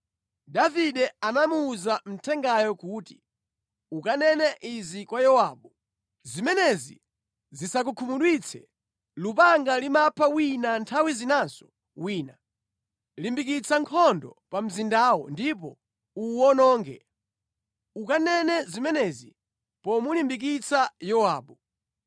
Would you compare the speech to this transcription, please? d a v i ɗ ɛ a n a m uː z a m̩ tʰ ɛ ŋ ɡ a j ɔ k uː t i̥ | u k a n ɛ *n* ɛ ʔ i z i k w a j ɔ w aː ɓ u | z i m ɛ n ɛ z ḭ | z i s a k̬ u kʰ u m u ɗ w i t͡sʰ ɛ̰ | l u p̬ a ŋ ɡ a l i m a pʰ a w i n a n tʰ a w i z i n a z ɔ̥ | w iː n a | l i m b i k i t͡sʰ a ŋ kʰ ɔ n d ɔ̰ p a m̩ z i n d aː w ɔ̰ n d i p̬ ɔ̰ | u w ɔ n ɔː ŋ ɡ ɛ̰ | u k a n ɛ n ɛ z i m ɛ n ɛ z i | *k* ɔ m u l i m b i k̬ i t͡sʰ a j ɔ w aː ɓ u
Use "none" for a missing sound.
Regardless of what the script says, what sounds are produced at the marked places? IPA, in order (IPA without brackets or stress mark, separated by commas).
n, p